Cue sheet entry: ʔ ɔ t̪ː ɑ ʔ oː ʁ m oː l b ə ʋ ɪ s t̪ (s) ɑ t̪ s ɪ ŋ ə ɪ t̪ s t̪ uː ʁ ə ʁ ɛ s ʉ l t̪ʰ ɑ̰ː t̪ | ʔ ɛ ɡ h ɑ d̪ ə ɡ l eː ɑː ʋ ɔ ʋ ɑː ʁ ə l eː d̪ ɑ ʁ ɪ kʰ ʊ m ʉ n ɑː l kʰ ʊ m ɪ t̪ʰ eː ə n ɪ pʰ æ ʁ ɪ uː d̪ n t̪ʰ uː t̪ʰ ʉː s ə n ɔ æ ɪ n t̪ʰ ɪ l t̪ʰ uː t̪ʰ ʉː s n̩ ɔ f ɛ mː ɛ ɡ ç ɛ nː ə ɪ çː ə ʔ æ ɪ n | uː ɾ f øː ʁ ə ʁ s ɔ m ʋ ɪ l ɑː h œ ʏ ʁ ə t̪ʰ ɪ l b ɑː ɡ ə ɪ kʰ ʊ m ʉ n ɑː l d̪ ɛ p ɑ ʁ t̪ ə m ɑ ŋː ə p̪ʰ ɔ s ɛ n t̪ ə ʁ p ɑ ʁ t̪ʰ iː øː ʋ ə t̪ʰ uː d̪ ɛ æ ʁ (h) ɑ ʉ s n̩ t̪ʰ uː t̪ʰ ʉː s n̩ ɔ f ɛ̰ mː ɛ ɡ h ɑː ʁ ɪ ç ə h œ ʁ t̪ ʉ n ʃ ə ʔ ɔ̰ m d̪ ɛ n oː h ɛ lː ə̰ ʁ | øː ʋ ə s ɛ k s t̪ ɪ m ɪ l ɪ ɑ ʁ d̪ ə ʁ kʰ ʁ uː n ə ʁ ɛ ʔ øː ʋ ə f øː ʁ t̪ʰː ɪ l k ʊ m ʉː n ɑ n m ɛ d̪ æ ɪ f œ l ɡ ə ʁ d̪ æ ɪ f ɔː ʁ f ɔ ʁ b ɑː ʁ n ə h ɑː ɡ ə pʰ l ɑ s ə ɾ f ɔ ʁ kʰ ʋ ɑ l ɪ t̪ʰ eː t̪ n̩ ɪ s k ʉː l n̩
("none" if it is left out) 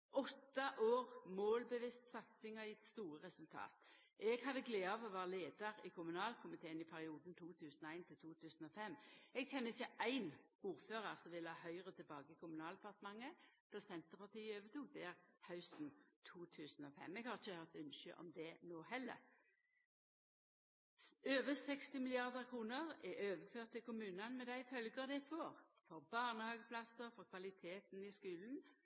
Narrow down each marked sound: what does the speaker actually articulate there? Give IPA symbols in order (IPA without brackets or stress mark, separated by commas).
s, h